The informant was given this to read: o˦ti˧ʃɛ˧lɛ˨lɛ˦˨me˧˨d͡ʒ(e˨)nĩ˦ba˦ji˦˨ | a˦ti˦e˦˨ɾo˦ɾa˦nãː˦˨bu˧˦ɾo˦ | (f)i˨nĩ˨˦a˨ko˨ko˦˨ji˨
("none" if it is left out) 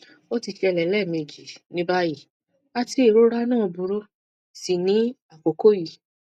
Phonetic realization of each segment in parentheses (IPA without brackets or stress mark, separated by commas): i˨, s